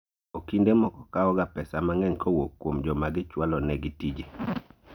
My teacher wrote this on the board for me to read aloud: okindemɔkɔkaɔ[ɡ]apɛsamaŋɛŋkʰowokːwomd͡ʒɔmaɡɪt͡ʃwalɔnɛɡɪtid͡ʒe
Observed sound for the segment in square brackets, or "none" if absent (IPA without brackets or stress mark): ɡ